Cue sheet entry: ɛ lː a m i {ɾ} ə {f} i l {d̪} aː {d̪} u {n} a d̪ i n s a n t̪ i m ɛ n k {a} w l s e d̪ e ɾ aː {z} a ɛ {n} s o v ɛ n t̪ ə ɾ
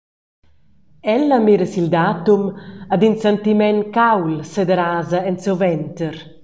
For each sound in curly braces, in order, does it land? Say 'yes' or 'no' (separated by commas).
yes, no, yes, no, no, yes, yes, yes